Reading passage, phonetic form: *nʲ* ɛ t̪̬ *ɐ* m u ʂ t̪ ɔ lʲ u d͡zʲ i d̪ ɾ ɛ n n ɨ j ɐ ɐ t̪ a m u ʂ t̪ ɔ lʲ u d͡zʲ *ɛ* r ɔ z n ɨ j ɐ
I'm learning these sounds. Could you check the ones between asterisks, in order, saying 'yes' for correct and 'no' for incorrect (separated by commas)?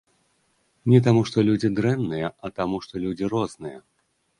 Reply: yes, no, no